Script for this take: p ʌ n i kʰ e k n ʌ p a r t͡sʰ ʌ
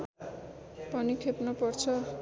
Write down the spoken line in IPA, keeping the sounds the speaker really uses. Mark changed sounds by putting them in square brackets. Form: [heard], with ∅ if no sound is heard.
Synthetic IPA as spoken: p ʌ n i kʰ e [p] n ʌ p [ʌ] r t͡sʰ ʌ